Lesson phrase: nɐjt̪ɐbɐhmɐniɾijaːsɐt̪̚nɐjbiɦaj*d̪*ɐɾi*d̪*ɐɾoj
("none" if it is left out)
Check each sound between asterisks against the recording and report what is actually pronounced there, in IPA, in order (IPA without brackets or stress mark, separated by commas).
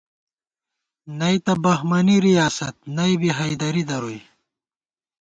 d̪, d̪